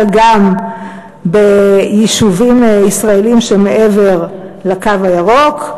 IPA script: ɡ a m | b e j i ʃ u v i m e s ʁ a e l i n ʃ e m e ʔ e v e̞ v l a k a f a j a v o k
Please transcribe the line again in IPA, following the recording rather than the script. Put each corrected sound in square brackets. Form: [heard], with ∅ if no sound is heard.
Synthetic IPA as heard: ɡ a m | b e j i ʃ u v i m [i] s ʁ a e l i [m] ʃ e m e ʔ e v e̞ [ʁ] l a k a [v] a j a [ʁ] o k